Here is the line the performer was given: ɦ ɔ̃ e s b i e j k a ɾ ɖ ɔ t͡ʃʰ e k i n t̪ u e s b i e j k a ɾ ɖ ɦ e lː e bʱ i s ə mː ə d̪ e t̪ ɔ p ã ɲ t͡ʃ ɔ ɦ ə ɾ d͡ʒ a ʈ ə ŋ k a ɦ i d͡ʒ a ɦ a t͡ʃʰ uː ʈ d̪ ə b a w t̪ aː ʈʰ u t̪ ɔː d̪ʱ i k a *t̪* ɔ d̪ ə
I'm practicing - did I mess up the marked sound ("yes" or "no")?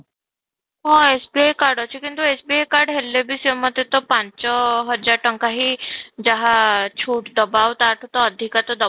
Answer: no